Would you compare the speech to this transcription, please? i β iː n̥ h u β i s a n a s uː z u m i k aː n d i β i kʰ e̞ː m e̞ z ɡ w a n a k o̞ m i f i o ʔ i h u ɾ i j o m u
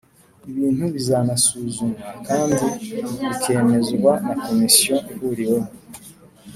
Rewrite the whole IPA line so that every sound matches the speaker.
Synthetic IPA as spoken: i β iː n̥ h u β i z a n a s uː z u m a k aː n d i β i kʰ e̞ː m e̞ z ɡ w a n a k o̞ m i s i o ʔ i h u ɾ i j o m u